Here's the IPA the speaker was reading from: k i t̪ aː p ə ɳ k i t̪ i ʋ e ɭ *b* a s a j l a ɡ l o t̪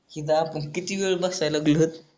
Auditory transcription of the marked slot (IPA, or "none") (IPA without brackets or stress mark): b